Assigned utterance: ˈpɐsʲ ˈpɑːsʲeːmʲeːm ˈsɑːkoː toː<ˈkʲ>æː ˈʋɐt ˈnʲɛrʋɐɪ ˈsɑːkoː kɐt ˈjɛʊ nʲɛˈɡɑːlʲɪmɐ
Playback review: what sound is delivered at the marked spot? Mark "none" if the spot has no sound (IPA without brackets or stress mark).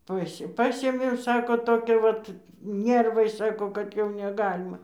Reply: kʲ